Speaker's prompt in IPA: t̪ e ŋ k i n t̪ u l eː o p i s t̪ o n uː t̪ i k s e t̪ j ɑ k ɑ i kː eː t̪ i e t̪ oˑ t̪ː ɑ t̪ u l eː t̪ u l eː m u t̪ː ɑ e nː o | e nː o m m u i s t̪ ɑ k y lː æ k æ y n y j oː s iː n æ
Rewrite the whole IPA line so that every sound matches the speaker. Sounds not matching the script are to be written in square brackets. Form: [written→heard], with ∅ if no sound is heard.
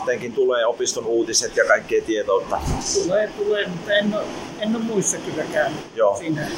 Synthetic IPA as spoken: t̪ e ŋ k i n t̪ u l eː o p i s t̪ o n uː t̪ i [k→∅] s e t̪ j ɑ k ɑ i kː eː t̪ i e t̪ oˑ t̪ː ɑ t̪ u l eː t̪ u l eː m u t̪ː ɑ e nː o | e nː o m m u i s t̪ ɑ k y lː æ k æ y n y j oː s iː n æ